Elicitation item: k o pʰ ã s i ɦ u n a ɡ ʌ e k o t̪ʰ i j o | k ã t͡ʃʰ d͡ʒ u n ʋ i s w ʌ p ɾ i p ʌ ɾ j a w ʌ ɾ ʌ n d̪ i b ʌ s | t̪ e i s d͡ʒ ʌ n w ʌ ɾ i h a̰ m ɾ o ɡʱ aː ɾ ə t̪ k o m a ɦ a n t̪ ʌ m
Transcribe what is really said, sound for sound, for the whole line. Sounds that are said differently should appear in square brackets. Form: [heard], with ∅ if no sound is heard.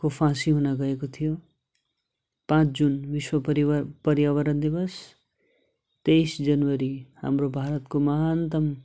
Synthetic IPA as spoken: k o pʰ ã s i ɦ u n a ɡ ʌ e k o t̪ʰ i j o | [p] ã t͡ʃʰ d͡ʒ u n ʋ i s w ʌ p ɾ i p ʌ ɾ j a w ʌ ɾ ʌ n d̪ i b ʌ s | t̪ e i s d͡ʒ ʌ n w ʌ ɾ i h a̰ m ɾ o [bʱ] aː ɾ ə t̪ k o m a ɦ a n t̪ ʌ m